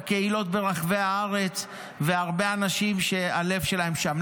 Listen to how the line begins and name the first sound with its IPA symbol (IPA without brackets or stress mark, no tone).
k